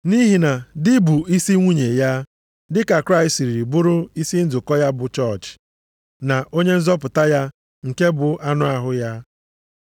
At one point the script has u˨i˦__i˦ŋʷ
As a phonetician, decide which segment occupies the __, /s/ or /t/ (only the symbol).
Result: s